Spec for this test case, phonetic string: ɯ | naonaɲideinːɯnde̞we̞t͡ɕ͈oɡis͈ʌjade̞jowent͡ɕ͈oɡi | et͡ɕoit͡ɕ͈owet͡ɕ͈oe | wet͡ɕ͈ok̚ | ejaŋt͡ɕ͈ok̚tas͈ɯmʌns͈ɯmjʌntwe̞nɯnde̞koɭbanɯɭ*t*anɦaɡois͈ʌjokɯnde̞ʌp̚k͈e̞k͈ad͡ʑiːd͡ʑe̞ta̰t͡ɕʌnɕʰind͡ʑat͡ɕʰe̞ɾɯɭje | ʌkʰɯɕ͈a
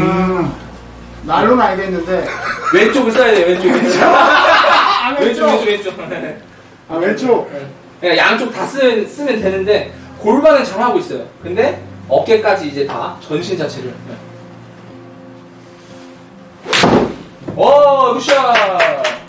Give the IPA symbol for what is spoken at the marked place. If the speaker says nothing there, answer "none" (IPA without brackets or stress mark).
t͡ɕ